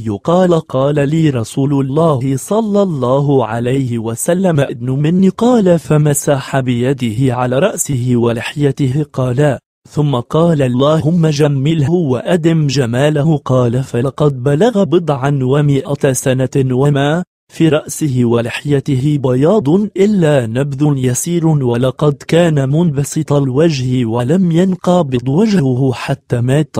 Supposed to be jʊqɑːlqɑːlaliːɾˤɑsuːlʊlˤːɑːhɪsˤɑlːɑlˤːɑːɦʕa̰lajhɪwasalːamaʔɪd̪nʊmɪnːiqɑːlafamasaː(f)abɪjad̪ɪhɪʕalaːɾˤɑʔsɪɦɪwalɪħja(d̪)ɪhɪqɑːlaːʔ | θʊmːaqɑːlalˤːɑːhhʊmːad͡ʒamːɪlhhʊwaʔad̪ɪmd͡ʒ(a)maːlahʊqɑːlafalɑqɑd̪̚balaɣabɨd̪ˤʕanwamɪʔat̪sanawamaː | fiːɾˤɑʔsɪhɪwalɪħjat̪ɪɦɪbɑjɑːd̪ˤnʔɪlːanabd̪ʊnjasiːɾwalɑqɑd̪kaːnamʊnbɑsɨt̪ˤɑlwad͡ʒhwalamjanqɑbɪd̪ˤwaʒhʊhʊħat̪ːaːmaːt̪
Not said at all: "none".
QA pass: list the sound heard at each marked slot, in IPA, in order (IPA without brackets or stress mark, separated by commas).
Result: ħ, t̪, a